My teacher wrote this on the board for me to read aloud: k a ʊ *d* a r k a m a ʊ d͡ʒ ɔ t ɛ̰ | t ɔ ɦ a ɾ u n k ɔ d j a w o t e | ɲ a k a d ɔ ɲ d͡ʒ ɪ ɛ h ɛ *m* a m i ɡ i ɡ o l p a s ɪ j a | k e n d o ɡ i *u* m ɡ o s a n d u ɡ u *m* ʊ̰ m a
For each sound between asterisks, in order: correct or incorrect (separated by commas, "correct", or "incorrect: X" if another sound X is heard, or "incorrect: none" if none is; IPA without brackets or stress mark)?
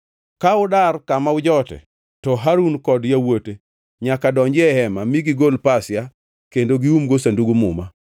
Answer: correct, correct, correct, correct